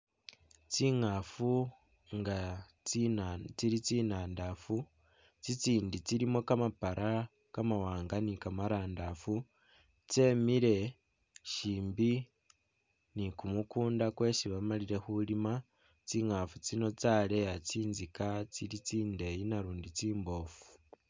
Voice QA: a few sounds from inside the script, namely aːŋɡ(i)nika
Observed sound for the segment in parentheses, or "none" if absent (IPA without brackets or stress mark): a